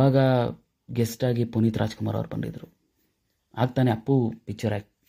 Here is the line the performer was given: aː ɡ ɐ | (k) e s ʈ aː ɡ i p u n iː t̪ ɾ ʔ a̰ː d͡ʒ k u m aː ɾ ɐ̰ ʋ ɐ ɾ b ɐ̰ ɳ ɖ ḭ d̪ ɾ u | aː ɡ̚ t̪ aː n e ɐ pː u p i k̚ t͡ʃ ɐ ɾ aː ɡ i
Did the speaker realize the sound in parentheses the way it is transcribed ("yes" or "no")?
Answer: no